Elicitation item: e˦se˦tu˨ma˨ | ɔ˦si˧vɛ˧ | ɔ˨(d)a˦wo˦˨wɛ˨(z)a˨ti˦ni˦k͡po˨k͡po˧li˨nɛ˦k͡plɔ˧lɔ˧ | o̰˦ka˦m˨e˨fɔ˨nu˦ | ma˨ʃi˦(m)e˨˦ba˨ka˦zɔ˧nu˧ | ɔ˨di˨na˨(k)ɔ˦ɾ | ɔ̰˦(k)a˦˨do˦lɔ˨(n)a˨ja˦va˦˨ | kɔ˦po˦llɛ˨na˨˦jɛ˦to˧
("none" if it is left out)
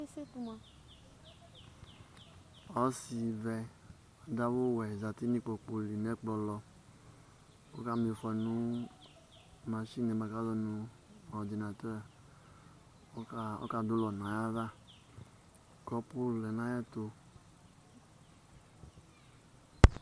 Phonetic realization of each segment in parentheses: d, z, n, t, k, n

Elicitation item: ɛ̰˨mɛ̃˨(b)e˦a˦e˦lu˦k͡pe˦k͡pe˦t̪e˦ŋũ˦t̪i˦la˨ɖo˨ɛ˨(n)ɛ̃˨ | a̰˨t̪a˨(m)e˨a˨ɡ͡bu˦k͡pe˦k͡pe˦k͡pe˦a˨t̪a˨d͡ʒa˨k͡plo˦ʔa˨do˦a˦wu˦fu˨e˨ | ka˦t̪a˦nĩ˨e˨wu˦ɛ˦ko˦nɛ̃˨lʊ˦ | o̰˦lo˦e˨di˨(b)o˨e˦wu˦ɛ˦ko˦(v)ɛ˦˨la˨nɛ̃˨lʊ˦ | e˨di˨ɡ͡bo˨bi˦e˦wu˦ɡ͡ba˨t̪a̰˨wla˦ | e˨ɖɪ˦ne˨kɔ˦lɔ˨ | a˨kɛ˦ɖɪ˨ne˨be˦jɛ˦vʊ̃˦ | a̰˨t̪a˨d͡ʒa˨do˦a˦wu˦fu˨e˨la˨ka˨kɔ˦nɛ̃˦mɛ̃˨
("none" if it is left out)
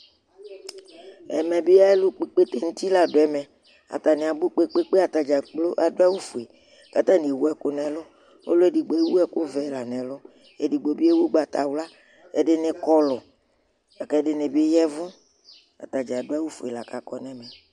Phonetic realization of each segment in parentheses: b, m, n, ɡ͡b, v

